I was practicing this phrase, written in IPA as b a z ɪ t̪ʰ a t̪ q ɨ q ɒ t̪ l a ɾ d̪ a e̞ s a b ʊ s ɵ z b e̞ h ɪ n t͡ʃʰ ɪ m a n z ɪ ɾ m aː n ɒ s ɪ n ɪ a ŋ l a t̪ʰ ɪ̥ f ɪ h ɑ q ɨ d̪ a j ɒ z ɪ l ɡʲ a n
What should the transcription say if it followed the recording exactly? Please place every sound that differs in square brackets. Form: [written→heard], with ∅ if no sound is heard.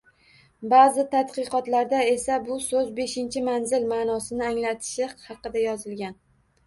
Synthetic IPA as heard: b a z ɪ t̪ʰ a t̪ q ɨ q ɒ t̪ l a ɾ d̪ a e̞ s a b ʊ s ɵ z b e̞ [h→ʃ] ɪ n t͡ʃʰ ɪ m a n z ɪ [ɾ→l] m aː n ɒ s ɪ n ɪ a ŋ l a t̪ʰ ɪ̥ [f→ʃ] ɪ h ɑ q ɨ d̪ a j ɒ z ɪ l ɡʲ a n